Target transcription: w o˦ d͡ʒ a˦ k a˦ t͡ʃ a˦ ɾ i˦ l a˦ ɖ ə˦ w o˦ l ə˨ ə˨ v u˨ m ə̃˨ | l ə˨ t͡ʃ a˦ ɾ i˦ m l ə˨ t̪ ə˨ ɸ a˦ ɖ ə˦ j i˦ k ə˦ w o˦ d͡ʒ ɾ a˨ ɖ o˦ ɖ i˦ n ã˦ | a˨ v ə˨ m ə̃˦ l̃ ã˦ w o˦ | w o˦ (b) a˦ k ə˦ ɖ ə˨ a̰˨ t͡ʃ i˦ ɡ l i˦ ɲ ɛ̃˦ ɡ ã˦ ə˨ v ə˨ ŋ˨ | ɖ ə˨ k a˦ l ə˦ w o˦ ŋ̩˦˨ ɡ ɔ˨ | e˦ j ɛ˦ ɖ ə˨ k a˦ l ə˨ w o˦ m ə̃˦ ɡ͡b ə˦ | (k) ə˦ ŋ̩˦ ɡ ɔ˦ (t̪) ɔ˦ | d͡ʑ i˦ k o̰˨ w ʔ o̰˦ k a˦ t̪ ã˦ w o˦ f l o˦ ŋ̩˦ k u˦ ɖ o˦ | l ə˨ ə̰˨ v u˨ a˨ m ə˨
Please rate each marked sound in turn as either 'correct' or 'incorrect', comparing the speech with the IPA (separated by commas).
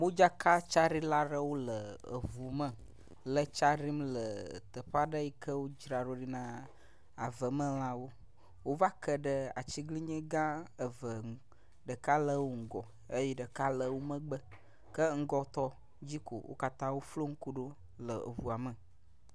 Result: incorrect, correct, correct